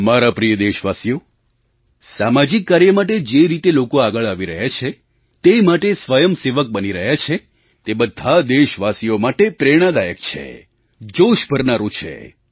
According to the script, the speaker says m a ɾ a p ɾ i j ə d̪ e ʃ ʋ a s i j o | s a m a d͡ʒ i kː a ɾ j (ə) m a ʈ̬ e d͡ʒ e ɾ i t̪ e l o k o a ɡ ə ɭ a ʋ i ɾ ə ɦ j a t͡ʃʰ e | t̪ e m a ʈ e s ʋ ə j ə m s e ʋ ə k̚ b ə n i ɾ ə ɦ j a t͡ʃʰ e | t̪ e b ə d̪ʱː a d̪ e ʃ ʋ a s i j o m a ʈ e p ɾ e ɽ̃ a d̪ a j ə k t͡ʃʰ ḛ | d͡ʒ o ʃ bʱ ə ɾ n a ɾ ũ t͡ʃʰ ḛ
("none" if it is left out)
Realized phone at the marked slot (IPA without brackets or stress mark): ə